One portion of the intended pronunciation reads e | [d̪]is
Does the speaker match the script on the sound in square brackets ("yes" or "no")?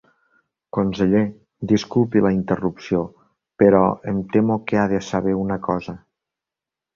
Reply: yes